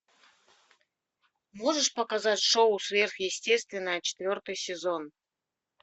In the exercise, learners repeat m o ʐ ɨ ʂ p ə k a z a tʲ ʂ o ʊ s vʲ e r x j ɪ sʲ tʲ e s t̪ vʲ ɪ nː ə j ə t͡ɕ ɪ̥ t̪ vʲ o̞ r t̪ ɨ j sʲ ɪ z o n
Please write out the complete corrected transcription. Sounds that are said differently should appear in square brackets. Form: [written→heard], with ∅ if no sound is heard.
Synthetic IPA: m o ʐ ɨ ʂ p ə k a z a tʲ ʂ o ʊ s vʲ e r x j ɪ sʲ tʲ e s t̪ vʲ ɪ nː ə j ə t͡ɕ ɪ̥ t̪ vʲ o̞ r t̪ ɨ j sʲ ɪ z o n